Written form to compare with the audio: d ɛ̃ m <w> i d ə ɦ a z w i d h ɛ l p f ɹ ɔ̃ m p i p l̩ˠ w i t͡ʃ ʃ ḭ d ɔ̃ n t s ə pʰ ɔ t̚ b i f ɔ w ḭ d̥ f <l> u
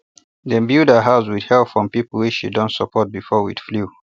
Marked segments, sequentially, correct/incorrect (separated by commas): incorrect, correct